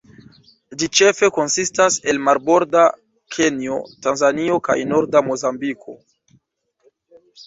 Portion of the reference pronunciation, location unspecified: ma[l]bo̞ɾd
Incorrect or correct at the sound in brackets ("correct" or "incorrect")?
incorrect